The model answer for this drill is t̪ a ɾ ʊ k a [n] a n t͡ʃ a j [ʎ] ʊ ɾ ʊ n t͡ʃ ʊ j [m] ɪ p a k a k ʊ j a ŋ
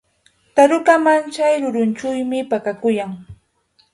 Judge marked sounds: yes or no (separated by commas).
no, no, yes